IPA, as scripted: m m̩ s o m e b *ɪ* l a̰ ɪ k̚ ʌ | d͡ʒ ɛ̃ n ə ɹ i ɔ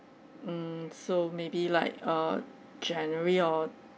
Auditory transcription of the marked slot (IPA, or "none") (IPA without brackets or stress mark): i